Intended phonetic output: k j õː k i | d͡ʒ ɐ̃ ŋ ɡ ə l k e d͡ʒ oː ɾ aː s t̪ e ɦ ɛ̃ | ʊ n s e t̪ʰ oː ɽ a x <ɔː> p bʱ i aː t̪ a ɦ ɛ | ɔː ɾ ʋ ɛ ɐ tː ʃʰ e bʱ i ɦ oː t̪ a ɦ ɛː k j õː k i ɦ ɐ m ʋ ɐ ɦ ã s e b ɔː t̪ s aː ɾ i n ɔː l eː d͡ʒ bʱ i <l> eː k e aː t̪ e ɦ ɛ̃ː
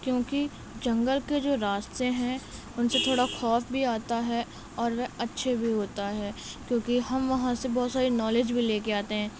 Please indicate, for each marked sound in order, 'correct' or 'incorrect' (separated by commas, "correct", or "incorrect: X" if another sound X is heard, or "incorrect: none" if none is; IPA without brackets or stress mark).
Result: correct, correct